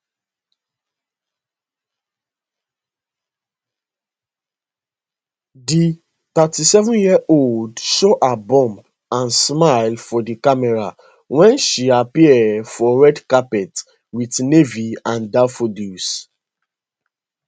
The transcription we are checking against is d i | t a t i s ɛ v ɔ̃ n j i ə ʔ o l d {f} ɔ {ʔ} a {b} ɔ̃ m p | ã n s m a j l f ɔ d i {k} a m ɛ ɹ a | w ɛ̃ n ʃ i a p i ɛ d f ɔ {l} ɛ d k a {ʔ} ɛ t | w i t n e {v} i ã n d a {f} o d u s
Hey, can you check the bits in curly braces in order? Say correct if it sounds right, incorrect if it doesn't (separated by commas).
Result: incorrect, correct, correct, correct, incorrect, incorrect, correct, correct